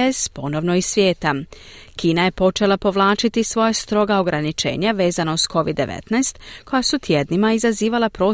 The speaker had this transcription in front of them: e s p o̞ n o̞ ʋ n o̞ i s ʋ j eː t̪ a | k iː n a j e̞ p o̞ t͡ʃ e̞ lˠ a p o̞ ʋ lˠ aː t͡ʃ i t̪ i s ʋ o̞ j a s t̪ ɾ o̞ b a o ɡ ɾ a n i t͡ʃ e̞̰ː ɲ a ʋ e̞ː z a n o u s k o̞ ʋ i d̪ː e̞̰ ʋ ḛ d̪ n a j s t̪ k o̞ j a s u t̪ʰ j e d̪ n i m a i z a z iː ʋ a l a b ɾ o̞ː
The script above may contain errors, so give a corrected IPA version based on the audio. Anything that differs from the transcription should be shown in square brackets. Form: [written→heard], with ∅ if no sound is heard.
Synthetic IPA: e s p o̞ n o̞ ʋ n o̞ i s ʋ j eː t̪ a | k iː n a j e̞ p o̞ t͡ʃ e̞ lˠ a p o̞ ʋ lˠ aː t͡ʃ i t̪ i s ʋ o̞ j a s t̪ ɾ o̞ [b→ɡ] a o ɡ ɾ a n i t͡ʃ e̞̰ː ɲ a ʋ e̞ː z a n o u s k o̞ ʋ i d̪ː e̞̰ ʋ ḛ [d̪→t̪] n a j s t̪ k o̞ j a s u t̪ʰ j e d̪ n i m a i z a z iː ʋ a l a [b→p] ɾ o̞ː